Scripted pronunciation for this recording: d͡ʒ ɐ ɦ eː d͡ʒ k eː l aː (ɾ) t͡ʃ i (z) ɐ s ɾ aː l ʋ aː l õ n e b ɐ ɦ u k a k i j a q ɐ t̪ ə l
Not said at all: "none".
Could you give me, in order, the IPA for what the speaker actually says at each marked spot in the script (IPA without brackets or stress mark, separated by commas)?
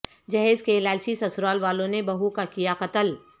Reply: l, s